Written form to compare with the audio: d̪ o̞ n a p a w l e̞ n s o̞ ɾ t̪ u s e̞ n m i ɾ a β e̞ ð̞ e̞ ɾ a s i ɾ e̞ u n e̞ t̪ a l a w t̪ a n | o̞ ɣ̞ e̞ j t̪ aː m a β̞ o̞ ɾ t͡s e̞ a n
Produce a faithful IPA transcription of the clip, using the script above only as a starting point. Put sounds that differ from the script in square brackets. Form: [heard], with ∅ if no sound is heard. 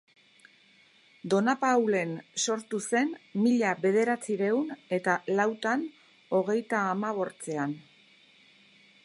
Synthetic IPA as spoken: d̪ o̞ n a p a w l e̞ n s o̞ ɾ t̪ u s e̞ n m i [ʎ] a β e̞ ð̞ e̞ ɾ a [t͡s] i ɾ e̞ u n e̞ t̪ a l a w t̪ a n | o̞ ɣ̞ e̞ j t̪ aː m a β̞ o̞ ɾ t͡s e̞ a n